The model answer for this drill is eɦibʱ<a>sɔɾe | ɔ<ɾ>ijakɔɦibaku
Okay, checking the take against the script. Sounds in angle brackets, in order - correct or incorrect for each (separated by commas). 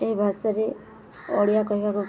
correct, incorrect